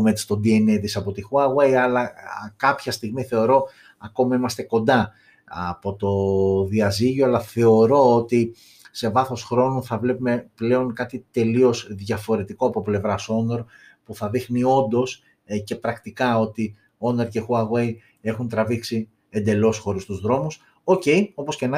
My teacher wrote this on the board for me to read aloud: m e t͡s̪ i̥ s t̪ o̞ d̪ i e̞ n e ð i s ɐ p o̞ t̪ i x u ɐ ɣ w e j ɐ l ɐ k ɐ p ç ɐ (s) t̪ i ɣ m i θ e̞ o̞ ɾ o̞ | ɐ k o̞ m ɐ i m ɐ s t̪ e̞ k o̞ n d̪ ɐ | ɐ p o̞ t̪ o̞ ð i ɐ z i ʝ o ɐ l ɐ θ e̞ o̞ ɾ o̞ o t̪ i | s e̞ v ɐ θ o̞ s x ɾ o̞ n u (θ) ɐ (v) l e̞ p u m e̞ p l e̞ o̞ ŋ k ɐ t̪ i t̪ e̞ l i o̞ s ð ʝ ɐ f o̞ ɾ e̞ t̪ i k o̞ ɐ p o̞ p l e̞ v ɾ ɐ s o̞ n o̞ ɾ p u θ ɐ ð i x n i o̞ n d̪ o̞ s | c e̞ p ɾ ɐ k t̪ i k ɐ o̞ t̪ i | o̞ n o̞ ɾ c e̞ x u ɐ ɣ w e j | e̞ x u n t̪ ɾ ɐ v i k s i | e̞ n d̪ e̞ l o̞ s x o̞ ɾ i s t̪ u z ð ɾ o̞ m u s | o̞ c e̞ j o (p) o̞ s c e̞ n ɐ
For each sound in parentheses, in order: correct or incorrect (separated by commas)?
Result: correct, correct, correct, correct